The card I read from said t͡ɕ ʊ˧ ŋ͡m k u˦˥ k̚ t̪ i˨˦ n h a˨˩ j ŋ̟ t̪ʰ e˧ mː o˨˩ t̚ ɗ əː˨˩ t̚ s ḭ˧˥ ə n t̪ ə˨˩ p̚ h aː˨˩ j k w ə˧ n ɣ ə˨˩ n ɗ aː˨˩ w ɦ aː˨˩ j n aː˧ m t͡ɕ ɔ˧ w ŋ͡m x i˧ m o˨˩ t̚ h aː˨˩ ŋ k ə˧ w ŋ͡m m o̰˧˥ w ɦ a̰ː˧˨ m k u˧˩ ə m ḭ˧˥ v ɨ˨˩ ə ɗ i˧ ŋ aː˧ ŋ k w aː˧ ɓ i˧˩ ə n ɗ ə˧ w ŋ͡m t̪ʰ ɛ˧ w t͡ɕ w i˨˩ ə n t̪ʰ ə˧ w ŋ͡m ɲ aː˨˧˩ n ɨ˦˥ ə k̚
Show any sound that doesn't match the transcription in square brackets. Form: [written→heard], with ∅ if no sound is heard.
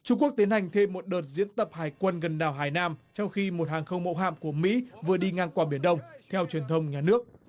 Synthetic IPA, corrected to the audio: t͡ɕ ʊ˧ ŋ͡m k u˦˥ k̚ t̪ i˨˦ n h a˨˩ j ŋ̟ t̪ʰ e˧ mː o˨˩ t̚ ɗ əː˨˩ t̚ [s→z] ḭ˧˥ ə n t̪ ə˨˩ p̚ h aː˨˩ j k w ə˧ n ɣ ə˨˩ n ɗ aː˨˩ w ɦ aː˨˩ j n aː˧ m t͡ɕ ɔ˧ w ŋ͡m x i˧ m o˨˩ t̚ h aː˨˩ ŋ [k→x] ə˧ w ŋ͡m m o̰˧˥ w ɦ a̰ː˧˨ m k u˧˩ ə m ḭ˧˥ v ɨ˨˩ ə ɗ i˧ ŋ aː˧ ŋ k w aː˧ ɓ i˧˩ ə n ɗ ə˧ w ŋ͡m t̪ʰ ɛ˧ w t͡ɕ w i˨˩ ə n t̪ʰ ə˧ w ŋ͡m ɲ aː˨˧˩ n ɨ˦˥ ə k̚